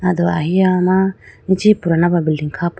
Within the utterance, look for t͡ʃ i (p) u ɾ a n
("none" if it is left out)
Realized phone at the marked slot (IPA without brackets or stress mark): p